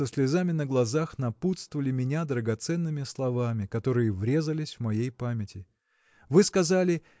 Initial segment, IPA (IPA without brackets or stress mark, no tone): ə